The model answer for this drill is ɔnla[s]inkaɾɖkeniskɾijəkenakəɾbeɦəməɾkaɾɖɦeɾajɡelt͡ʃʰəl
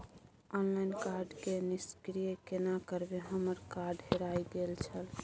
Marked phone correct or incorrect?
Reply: incorrect